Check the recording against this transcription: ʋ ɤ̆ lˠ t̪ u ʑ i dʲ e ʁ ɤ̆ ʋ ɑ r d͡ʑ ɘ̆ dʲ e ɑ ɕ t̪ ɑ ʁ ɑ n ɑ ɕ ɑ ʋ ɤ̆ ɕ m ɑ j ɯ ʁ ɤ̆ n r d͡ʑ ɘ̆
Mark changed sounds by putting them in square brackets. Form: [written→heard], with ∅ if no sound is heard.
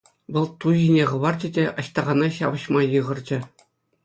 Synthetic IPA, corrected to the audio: ʋ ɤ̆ lˠ t̪ u ʑ i [dʲ→nʲ] e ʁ ɤ̆ ʋ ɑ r d͡ʑ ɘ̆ dʲ e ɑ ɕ t̪ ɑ ʁ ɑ n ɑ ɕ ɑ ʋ ɤ̆ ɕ m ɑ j ɯ ʁ ɤ̆ [n→∅] r d͡ʑ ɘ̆